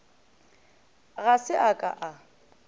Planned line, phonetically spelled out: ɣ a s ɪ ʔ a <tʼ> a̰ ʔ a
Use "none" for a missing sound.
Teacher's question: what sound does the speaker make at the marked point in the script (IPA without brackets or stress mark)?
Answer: kʼ